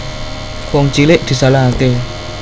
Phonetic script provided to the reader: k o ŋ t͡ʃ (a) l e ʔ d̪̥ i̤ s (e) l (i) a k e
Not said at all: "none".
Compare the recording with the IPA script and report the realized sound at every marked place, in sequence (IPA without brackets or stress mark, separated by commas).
i, a, a